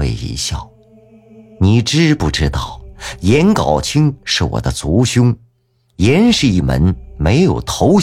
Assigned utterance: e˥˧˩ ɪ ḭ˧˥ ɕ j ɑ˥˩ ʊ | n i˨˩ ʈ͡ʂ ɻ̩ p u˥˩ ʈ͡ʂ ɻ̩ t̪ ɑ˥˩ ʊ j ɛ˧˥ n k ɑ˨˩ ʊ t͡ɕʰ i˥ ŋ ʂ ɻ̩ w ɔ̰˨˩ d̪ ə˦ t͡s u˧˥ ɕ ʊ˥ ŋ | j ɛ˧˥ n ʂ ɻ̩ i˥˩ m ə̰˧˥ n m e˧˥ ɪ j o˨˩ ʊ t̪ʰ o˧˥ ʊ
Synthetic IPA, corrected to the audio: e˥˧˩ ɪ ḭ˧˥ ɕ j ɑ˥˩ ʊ | n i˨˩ ʈ͡ʂ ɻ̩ p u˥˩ ʈ͡ʂ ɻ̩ t̪ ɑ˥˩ ʊ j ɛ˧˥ n k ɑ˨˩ ʊ t͡ɕʰ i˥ ŋ ʂ ɻ̩ w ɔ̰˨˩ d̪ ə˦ t͡s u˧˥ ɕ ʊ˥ ŋ | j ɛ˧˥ n ʂ ɻ̩ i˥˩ m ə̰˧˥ n m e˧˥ ɪ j o˨˩ ʊ t̪ʰ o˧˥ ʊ